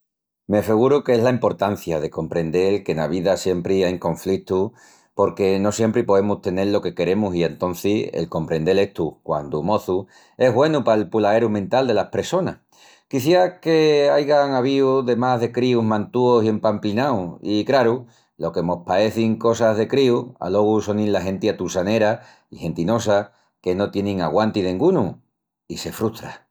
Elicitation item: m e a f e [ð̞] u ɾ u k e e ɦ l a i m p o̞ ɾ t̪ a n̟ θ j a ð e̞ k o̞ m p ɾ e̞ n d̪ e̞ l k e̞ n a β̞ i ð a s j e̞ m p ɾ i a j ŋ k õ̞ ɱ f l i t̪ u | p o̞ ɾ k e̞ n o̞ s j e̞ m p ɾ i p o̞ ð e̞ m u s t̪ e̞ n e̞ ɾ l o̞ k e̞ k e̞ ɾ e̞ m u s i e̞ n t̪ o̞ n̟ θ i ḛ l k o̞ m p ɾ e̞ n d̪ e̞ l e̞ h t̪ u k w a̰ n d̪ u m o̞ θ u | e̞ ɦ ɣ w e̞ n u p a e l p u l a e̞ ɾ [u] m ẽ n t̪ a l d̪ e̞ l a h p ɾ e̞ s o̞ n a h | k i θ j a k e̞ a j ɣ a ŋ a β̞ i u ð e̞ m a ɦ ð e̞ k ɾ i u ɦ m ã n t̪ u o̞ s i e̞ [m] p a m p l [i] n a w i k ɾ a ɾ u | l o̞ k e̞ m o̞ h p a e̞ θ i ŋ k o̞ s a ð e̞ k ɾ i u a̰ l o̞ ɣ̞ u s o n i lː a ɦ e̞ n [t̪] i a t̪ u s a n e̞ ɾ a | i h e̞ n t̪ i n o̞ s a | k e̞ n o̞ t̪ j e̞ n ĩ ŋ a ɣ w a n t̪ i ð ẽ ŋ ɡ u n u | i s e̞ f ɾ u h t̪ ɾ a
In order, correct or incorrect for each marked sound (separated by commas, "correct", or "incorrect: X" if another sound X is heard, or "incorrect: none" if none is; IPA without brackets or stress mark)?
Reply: incorrect: ɣ̞, correct, correct, correct, correct